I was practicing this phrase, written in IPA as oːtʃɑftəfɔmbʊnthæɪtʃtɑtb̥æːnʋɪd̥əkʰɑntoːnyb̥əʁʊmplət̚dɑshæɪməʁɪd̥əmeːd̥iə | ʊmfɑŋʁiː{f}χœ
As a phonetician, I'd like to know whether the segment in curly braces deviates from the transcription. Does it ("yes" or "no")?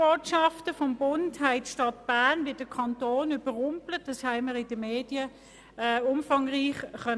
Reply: yes